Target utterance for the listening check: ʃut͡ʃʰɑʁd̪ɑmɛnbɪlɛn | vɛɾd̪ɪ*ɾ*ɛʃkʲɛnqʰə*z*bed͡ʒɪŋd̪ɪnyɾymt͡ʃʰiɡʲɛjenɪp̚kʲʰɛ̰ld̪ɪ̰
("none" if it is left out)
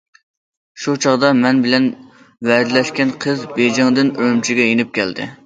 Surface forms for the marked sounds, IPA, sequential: l, z

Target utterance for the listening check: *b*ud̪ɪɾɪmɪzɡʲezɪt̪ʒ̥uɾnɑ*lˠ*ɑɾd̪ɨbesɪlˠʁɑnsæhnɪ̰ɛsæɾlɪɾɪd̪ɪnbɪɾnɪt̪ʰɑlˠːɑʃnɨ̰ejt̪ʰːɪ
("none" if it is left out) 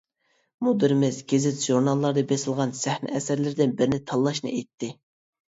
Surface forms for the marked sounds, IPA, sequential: m, lˠː

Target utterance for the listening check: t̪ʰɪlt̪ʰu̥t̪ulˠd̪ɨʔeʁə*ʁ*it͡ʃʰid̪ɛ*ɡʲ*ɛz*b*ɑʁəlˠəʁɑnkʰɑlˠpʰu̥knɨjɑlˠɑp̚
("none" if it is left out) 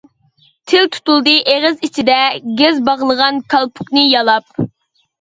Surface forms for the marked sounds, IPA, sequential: z, ɡʲ, b

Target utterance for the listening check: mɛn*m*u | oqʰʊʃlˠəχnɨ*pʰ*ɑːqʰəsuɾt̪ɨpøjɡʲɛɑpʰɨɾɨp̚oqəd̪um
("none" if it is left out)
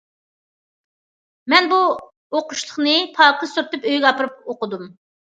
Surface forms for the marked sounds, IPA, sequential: b, pʰ

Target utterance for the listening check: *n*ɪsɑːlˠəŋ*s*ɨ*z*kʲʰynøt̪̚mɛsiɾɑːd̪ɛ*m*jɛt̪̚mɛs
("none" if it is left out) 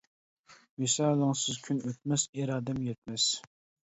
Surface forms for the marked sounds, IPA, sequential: m, s, z, m

